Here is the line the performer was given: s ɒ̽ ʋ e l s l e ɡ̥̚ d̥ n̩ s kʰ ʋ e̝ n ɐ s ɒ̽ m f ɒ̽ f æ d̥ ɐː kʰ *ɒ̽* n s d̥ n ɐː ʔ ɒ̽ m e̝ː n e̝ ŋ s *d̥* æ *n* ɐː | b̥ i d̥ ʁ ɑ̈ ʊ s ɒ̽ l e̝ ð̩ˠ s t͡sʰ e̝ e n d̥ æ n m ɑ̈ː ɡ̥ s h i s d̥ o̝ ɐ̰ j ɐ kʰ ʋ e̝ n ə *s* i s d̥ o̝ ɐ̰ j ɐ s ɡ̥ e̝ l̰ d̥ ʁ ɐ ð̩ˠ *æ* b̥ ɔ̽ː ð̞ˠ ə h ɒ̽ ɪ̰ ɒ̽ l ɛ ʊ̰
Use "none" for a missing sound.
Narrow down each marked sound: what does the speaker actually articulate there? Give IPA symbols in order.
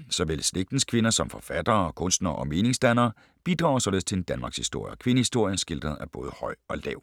ɔ̽, d̥, n, h, æ

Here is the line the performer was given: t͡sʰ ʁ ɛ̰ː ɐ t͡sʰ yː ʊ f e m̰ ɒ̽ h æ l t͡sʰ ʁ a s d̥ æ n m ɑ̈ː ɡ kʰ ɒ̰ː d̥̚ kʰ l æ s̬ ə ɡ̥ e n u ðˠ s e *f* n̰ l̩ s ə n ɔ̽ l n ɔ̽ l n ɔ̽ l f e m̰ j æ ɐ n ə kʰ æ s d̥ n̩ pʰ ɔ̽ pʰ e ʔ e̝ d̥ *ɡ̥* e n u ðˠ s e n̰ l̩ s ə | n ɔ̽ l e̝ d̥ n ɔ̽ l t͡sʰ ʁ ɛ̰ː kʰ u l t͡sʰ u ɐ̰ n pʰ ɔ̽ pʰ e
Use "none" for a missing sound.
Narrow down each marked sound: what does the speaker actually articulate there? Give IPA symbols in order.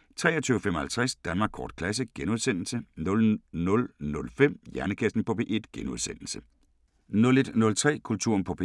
none, ɡ̥

